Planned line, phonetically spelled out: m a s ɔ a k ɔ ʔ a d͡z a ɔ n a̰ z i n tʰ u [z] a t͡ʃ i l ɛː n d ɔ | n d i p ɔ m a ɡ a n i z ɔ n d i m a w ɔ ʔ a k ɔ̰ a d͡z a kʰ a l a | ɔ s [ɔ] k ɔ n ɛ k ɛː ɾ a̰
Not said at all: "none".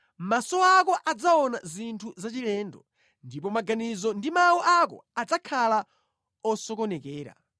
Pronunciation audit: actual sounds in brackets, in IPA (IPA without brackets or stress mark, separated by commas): z, ɔ